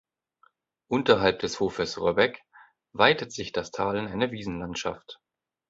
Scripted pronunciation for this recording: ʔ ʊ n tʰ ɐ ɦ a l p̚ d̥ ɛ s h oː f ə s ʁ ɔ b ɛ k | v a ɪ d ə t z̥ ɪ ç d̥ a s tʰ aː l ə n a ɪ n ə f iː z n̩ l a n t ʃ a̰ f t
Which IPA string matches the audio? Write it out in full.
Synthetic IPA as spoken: ʔ ʊ n t ɐ ɦ a l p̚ d̥ ɛ s h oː f ə s ʁ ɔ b ɛ k | v a ɪ t ə t z̥ ɪ ç d̥ a s tʰ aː l ə n a ɪ n ə v iː z n̩ l a n t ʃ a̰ f t